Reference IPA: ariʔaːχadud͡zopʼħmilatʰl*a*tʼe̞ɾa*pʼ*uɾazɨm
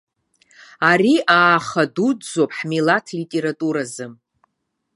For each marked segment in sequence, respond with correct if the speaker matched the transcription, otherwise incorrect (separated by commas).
incorrect, incorrect